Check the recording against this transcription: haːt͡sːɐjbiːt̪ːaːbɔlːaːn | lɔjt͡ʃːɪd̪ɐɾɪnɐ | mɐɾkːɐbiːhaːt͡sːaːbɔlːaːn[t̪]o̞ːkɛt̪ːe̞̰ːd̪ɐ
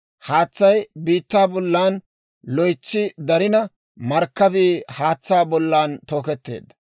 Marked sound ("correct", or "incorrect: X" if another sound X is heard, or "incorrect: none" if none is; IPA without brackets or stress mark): correct